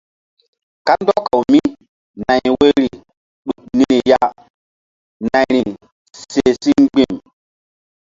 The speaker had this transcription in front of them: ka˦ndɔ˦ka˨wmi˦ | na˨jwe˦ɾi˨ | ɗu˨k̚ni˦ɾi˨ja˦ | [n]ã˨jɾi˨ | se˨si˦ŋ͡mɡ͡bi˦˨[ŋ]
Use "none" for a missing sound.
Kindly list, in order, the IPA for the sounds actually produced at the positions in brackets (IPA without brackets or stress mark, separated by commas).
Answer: n, m